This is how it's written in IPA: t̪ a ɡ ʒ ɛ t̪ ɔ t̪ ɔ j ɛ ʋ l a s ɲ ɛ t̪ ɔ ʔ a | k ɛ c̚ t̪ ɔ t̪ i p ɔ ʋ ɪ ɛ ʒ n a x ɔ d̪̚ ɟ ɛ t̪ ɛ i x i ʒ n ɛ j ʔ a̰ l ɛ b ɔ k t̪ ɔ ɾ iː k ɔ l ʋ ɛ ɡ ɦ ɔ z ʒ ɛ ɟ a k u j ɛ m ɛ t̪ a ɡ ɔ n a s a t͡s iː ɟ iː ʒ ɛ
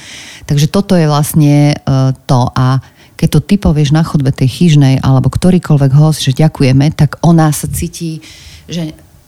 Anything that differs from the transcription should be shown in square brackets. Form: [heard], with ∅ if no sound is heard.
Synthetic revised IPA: t̪ a ɡ ʒ ɛ t̪ ɔ t̪ ɔ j ɛ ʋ l a s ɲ ɛ t̪ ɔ ʔ a | k ɛ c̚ t̪ ɔ t̪ i p ɔ ʋ ɪ ɛ ʒ n a x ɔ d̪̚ [b] ɛ t̪ ɛ [j] x i ʒ n ɛ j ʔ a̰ l ɛ b ɔ k t̪ ɔ ɾ iː k ɔ l ʋ ɛ ɡ ɦ ɔ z ʒ ɛ ɟ a k u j ɛ m ɛ t̪ a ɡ ɔ n a s a t͡s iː [c] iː ʒ ɛ